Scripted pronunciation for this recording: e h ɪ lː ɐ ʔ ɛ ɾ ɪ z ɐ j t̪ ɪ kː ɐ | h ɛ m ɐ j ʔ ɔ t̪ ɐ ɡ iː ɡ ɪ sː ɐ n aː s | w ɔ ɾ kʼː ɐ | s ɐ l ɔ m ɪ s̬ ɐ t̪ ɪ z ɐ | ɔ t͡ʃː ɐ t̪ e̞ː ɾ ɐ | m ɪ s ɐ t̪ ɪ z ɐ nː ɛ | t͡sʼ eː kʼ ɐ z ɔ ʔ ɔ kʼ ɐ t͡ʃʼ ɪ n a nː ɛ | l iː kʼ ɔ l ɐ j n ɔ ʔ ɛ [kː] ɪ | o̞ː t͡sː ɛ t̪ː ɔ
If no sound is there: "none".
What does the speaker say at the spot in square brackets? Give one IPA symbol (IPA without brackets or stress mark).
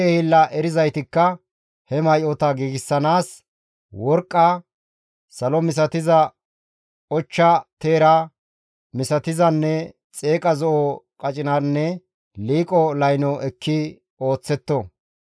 kː